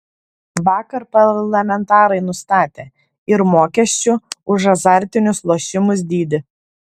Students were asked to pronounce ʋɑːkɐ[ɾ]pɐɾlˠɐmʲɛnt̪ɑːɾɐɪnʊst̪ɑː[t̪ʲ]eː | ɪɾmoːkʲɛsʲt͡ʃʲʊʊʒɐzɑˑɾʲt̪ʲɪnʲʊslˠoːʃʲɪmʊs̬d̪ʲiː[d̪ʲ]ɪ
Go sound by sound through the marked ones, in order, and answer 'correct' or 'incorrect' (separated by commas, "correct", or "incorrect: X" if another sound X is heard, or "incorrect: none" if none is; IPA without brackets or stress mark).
correct, correct, correct